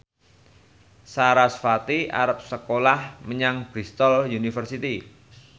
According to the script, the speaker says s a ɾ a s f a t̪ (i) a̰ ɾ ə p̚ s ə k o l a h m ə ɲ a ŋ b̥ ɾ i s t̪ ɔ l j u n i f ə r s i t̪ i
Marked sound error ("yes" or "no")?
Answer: no